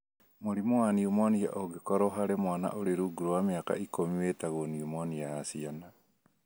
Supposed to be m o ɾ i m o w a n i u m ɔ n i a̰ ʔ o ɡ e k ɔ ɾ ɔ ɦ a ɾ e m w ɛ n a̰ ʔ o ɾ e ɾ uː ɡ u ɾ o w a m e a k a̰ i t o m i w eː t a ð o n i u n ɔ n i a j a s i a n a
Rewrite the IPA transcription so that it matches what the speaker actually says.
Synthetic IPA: m o ɾ i m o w a n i u m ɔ n i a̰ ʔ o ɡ e k ɔ ɾ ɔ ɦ a ɾ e m w a n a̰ ʔ o ɾ e ɾ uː ɡ u ɾ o w a m e a k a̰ i k o m i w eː t a ɣ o n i u m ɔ n i a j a s i a n a

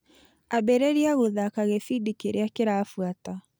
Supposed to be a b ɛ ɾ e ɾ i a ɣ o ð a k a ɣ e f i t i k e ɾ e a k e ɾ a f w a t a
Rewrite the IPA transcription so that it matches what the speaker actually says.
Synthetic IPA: a b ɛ ɾ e ɾ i a ɣ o ð a k a ɣ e f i d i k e ɾ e a k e ɾ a f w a t a

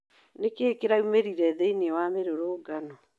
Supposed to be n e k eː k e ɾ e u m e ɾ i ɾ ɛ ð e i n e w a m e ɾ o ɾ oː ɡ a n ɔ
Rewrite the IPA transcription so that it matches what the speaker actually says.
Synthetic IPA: n e k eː k e ɾ a u m e ɾ i ɾ ɛ ð e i n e w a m e ɾ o ɾ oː ɡ a n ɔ

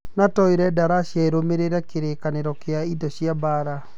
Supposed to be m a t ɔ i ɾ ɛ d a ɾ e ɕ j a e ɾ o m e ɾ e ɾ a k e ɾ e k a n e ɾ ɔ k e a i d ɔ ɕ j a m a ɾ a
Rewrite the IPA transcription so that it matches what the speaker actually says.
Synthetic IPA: n a t ɔ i ɾ ɛ d a ɾ a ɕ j a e ɾ o m e ɾ e ɾ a k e ɾ e k a n e ɾ ɔ k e a i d ɔ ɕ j a b a ɾ a

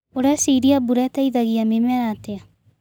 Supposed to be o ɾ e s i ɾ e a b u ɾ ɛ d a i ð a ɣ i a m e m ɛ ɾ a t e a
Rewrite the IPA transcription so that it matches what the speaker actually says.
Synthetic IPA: o ɾ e s i ɾ i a b u ɾ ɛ t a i ð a ɣ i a m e m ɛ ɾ a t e a

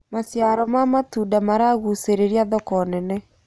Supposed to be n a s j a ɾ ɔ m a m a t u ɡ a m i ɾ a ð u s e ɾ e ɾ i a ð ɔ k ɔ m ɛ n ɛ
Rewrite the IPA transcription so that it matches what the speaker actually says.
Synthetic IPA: m a s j a ɾ ɔ m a m a t u d a m a ɾ a ɣ u s e ɾ e ɾ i a ð ɔ k ɔ n ɛ n ɛ

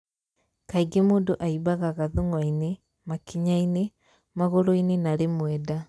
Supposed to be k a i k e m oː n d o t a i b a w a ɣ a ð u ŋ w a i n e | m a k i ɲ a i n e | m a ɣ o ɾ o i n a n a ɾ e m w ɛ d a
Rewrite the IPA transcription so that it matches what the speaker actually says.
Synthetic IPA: k a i ɡ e m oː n d o ʔ a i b a ɣ a ɣ a ð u ŋ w a i n e | m a k i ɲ a i n e | m a ɣ o ɾ o i n e n a ɾ e m w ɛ d a

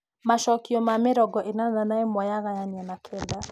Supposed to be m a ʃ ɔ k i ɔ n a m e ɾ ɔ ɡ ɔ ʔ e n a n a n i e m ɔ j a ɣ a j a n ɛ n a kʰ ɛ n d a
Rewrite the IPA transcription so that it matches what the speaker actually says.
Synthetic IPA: m a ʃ ɔ k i ɔ m a m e ɾ ɔ ɡ ɔ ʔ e n a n a n a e m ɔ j a ɣ a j a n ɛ n a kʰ ɛ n d a

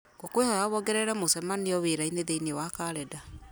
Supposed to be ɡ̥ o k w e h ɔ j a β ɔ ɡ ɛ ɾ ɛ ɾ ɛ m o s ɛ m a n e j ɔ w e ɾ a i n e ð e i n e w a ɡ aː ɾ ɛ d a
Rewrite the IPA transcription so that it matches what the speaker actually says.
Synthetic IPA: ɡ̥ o k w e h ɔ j a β ɔ ɡ ɛ ɾ ɛ ɾ ɛ m o s ɛ m a n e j ɔ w e ɾ a i n e ð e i n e w a k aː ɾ ɛ d a

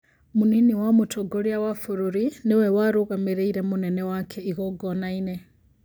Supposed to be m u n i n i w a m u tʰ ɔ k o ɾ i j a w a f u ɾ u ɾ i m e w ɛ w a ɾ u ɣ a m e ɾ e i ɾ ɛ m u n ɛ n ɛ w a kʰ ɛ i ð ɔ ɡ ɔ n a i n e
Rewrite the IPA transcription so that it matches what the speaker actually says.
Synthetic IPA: m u n i n i w a m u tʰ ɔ ɡ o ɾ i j a w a f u ɾ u ɾ i n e w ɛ w a ɾ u ɣ a m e ɾ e i ɾ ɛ m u n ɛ n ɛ w a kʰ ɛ i ɣ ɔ ɡ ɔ n a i n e

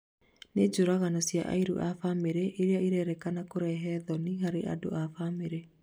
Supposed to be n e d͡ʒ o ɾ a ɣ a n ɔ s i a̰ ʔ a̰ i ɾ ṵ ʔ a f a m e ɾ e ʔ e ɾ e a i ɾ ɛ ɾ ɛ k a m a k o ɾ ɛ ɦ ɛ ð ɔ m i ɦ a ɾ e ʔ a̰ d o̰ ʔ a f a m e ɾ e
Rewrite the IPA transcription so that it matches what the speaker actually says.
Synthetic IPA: n e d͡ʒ o ɾ a ɣ a n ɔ s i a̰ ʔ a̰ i ɾ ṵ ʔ a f a m e ɾ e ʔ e ɾ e a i ɾ ɛ ɾ ɛ k a n a k o ɾ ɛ ɦ ɛ ð ɔ n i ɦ a ɾ e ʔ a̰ d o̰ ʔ a f a m e ɾ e

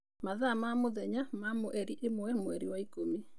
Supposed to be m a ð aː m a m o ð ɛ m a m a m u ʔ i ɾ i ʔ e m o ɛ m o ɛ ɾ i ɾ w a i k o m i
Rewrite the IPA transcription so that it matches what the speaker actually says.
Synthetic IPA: m a ð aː m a m o ð ɛ ɲ a m a m o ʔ ɛ ɾ i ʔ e m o ɛ m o ɛ ɾ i w a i k o m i

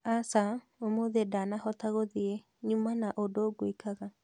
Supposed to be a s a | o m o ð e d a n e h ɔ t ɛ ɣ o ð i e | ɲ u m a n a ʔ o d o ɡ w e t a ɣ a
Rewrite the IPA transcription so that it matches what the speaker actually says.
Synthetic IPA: a s a | o m o ð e d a n a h ɔ t a ɣ o ð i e | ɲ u m a n a ʔ o d o ɡ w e k a ɣ a

